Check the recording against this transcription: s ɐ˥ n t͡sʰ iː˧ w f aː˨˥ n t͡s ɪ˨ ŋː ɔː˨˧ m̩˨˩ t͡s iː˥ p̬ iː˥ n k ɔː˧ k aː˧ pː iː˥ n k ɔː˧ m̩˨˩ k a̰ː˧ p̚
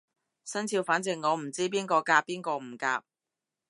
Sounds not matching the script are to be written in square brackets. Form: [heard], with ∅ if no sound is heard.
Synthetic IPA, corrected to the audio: s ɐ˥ n t͡sʰ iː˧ w f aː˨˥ n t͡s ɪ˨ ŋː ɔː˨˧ m̩˨˩ t͡s iː˥ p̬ iː˥ n k ɔː˧ k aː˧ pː iː˥ n k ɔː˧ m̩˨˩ k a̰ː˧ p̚